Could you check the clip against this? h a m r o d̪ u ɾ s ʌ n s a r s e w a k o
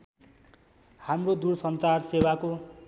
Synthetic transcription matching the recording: h a m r o d̪ u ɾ s ʌ n t͡s a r s e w a k o